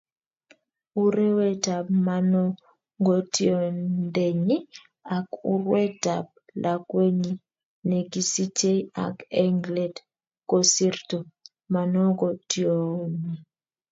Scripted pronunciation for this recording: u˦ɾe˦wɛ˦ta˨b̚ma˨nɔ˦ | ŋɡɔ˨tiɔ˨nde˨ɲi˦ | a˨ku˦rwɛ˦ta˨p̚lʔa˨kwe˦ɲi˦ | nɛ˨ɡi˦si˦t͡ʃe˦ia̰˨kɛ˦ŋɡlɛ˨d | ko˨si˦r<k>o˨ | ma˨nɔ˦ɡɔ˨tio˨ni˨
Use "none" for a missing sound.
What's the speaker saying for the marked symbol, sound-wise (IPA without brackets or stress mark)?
t